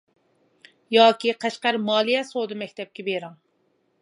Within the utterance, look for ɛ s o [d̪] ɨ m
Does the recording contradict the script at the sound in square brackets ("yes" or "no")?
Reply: no